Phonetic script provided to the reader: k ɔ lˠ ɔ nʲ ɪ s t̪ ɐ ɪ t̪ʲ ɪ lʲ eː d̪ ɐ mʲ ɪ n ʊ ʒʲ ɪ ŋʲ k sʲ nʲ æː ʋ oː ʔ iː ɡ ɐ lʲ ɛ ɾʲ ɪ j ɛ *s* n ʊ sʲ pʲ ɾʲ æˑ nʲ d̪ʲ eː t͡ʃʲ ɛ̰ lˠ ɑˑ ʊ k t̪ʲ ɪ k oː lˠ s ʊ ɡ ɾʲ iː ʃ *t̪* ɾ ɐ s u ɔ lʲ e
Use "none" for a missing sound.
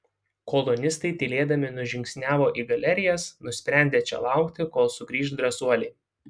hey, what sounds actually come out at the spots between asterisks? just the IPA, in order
s, d̪

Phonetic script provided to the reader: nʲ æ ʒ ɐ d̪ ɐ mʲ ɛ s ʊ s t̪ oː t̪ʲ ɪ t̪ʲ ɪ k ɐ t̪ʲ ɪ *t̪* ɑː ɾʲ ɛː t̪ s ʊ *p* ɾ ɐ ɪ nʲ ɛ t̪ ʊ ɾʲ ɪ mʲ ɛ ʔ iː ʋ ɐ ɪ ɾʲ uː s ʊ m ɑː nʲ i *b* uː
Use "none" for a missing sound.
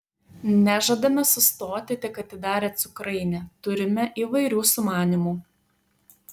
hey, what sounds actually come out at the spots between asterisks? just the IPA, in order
d̪, k, m

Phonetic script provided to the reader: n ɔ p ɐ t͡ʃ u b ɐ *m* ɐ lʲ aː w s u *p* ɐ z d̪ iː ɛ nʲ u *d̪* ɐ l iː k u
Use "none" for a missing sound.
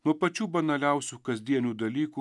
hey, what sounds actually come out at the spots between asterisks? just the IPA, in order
n, k, d̪

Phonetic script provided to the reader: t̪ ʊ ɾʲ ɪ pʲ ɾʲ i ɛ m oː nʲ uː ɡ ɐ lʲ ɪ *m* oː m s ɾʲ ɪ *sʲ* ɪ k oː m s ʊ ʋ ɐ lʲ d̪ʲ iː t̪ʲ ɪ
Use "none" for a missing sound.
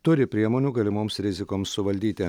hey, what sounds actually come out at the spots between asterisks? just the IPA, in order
m, zʲ

